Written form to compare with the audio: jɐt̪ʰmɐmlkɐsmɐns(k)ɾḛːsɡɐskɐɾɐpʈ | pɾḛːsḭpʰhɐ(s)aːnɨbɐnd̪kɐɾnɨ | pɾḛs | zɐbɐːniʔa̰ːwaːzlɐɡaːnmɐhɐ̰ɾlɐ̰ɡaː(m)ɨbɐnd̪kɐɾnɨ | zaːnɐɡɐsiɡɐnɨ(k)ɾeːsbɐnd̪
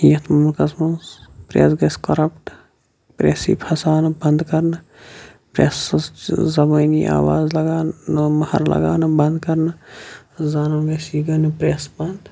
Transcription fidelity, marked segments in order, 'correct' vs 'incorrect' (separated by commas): incorrect, correct, incorrect, incorrect